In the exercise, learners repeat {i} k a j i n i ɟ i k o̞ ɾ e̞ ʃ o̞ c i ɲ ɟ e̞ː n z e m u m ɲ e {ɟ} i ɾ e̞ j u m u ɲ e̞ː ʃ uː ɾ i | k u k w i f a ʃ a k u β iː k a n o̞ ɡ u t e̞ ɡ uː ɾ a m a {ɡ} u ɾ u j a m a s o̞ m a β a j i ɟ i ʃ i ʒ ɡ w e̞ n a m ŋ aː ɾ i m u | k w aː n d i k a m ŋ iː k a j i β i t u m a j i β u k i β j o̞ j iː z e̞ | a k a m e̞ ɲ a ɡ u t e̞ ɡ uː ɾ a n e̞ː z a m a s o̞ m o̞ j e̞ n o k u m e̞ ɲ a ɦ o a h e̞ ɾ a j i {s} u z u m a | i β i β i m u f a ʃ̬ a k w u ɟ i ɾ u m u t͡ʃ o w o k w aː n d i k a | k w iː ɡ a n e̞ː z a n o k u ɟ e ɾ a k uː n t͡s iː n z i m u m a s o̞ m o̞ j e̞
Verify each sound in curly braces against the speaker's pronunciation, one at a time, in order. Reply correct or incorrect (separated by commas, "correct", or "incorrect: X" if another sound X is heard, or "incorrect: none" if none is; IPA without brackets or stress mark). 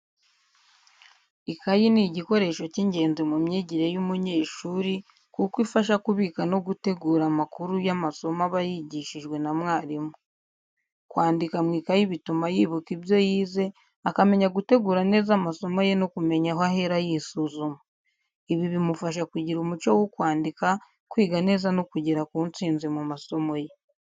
correct, correct, incorrect: k, correct